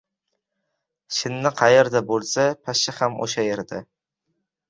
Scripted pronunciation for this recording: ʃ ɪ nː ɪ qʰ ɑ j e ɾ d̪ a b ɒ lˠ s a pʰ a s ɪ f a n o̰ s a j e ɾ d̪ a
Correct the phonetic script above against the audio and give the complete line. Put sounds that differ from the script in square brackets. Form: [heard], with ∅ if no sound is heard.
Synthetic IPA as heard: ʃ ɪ nː ɪ qʰ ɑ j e ɾ d̪ a b [o] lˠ s a pʰ a [ʃ] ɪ [h] a [m] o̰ [ʃ] a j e ɾ d̪ a